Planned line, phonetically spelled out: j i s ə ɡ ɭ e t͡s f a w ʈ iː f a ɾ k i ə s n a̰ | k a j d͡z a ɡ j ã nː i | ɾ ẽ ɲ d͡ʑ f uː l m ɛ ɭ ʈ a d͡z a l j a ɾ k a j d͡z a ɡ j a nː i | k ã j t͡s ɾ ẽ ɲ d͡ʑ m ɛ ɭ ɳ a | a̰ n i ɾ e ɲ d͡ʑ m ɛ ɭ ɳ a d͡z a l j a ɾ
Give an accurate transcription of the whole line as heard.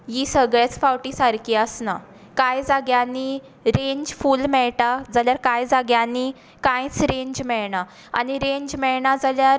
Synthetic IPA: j i s ə ɡ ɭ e t͡s f a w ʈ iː s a ɾ k i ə s n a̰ | k a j d͡z a ɡ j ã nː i | ɾ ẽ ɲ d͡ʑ f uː l m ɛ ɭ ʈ a d͡z a l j a ɾ k a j d͡z a ɡ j a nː i | k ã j t͡s ɾ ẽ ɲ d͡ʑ m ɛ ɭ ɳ a | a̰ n i ɾ e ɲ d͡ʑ m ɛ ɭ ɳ a d͡z a l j a ɾ